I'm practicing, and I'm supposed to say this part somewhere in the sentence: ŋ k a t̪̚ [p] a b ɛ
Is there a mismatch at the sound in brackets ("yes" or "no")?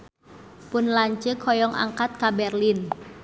yes